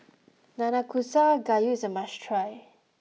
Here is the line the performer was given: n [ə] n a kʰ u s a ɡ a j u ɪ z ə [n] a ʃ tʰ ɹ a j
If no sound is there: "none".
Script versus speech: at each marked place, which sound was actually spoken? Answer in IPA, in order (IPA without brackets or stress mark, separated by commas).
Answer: a, m